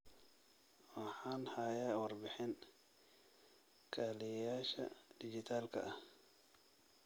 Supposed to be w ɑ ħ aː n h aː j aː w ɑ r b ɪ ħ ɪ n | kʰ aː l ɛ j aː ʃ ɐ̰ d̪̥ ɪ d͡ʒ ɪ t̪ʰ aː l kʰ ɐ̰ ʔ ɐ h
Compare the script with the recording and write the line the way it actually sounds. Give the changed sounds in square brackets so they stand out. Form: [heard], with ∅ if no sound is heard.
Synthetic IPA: w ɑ ħ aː n h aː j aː w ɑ r b ɪ ħ ɪ n | kʰ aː l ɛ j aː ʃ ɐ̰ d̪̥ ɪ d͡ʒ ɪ t̪ʰ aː l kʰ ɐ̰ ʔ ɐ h